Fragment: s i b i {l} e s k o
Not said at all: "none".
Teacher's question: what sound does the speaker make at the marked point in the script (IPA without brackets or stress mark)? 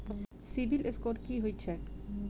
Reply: l